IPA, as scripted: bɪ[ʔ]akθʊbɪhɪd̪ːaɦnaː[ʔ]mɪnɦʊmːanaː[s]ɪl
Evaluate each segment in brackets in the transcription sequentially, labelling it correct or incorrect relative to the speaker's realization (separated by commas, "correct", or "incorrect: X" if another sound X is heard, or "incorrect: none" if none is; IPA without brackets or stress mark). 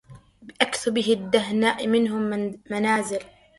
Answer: correct, correct, incorrect: z